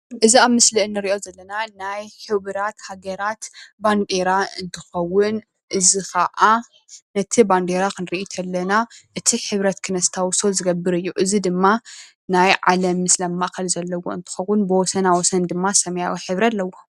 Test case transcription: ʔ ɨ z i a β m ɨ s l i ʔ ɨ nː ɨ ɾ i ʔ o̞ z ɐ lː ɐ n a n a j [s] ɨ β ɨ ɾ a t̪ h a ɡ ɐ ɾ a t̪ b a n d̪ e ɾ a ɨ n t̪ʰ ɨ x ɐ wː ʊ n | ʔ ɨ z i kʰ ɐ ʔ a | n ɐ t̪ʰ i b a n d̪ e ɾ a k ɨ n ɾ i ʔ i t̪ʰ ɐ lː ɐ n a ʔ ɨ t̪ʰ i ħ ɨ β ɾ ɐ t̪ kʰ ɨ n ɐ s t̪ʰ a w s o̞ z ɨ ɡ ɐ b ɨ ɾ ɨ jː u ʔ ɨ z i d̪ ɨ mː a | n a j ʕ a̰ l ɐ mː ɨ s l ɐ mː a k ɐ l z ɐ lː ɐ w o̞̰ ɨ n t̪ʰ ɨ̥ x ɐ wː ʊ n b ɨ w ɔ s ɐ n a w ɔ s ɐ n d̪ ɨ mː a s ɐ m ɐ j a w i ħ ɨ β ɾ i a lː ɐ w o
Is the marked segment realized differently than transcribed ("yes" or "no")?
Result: yes